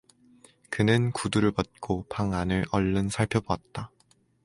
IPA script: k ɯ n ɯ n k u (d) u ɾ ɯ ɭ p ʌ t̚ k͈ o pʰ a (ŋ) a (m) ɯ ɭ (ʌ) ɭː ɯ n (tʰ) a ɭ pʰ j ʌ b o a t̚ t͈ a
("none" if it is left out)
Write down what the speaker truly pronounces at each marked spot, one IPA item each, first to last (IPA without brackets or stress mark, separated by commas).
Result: d, ŋ, n, ʌ, sʰ